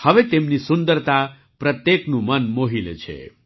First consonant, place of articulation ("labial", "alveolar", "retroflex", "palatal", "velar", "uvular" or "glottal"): glottal